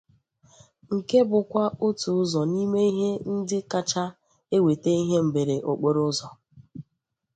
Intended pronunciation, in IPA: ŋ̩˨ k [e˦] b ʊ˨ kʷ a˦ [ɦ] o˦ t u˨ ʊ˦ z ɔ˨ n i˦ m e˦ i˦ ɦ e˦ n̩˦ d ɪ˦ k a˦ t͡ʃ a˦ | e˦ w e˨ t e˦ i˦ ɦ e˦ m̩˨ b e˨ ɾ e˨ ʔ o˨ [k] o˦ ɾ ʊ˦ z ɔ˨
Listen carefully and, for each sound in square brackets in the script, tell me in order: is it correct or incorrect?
correct, incorrect, incorrect

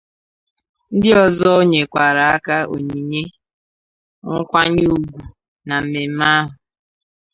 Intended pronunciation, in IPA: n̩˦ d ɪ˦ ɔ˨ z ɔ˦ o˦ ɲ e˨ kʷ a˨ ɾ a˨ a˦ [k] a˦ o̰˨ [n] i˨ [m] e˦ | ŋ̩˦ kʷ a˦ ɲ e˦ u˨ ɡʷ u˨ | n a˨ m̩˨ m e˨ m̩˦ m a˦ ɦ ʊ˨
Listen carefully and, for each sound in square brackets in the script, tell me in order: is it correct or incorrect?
correct, incorrect, incorrect

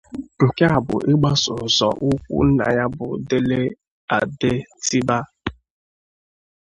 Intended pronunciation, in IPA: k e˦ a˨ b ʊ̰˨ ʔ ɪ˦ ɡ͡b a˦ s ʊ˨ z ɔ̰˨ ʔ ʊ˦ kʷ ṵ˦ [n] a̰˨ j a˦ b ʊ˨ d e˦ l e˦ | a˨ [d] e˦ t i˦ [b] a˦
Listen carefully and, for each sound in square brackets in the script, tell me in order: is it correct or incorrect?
correct, correct, correct

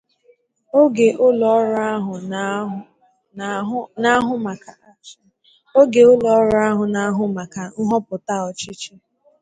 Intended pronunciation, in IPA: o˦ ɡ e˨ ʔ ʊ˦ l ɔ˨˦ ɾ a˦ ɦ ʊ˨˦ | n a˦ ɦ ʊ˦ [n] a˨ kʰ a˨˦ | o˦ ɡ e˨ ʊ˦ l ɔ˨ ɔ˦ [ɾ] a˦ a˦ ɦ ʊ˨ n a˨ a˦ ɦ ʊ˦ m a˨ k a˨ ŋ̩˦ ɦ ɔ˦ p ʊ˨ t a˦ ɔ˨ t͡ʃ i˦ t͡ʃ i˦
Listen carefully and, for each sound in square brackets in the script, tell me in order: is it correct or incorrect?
incorrect, correct

